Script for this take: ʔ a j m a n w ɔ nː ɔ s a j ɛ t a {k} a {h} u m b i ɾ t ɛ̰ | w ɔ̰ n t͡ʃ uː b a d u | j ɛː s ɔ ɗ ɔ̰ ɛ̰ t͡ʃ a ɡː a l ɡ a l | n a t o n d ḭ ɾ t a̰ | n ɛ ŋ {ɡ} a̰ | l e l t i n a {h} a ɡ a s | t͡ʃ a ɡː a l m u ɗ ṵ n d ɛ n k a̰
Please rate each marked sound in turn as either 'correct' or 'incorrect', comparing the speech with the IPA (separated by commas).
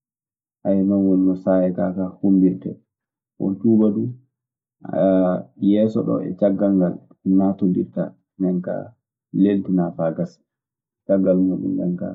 correct, correct, incorrect, incorrect